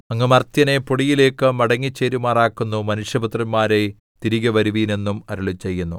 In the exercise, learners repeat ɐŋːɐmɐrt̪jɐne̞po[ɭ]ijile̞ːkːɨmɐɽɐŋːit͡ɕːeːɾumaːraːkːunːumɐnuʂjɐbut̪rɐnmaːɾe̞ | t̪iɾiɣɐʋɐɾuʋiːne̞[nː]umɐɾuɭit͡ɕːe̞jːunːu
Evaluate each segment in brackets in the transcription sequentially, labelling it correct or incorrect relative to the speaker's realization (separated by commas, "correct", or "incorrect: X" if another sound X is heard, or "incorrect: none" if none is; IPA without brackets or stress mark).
incorrect: ɽ, correct